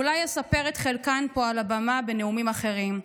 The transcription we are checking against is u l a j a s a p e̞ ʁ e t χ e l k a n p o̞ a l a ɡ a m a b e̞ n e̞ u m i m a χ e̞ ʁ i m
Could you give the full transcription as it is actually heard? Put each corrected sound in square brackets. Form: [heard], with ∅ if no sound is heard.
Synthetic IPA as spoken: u l a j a s a p e̞ ʁ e t χ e l k a n p o̞ a l a [b] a m a b e̞ n e̞ u m i m a χ e̞ ʁ i m